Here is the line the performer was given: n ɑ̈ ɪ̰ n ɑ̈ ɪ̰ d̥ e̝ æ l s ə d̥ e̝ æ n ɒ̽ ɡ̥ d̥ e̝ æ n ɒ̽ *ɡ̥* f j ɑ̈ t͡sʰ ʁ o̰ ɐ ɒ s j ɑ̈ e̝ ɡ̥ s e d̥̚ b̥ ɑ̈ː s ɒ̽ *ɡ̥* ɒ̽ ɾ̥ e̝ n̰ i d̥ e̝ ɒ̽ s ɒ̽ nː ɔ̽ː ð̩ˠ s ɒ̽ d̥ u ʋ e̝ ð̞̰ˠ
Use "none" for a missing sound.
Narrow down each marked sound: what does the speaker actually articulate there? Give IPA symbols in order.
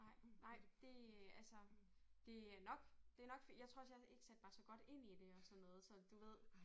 ɡ̥, ɡ̥

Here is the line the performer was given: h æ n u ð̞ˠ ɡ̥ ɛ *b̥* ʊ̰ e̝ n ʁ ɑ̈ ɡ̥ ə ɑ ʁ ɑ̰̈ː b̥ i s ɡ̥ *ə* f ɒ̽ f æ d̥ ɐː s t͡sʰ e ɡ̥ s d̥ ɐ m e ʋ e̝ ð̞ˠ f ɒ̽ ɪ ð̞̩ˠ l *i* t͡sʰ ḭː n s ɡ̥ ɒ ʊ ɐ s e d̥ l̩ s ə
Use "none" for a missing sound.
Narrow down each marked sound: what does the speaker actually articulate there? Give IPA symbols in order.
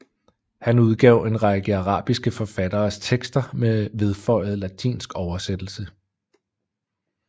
none, ə, æ

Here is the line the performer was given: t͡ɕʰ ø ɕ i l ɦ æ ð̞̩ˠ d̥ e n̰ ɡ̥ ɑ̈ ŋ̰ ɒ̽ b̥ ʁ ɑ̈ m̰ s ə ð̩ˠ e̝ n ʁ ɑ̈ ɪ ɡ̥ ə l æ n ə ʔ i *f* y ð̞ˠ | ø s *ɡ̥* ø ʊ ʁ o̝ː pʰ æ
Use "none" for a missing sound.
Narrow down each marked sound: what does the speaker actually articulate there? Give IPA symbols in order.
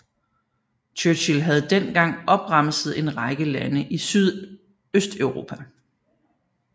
s, d̥

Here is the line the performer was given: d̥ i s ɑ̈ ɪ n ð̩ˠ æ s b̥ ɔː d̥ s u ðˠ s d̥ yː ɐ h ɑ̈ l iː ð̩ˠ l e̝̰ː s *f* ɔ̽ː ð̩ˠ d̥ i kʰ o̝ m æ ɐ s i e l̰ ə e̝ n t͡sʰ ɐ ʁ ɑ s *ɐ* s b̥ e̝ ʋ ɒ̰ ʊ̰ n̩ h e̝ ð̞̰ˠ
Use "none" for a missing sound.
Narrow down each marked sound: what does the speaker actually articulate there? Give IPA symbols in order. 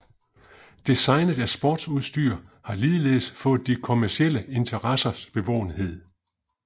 f, ɐ

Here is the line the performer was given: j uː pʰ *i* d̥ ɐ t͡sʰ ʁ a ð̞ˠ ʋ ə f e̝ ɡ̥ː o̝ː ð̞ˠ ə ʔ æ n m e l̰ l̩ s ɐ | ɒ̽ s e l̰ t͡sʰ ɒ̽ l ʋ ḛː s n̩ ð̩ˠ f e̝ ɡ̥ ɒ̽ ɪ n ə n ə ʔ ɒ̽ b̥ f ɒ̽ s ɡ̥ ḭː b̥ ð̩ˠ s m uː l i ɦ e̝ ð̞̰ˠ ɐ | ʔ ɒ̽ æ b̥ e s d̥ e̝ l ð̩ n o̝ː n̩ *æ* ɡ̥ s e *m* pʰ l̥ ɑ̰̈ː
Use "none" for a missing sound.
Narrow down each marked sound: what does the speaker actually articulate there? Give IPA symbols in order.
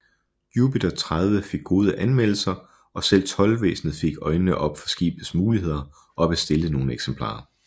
i, e, m

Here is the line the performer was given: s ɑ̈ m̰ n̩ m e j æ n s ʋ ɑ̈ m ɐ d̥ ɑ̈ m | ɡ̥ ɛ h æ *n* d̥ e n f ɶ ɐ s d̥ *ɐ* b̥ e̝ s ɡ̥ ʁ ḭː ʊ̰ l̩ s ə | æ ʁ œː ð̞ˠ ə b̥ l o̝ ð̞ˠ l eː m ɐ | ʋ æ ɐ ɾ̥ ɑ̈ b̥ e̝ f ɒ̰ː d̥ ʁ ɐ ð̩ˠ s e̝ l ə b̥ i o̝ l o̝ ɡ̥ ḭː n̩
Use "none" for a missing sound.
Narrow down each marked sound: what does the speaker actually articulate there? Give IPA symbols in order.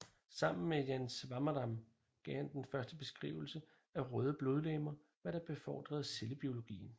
n, ə

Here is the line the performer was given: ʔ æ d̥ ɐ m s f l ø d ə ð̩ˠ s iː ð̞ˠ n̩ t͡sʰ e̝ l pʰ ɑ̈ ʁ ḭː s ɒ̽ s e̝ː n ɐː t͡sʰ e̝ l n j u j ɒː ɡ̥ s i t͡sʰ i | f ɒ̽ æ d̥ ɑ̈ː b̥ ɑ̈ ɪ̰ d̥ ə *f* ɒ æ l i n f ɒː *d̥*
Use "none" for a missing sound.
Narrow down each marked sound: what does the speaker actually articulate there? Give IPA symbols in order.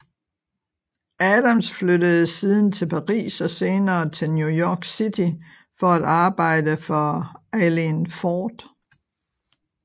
f, d̥

